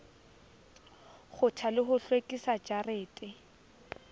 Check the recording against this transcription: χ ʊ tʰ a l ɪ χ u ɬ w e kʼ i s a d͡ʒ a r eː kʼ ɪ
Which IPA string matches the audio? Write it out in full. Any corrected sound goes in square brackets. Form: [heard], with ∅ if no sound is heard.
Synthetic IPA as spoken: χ ʊ tʰ a l ɪ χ [ʊ] ɬ w e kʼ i s a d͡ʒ a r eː [tʼ] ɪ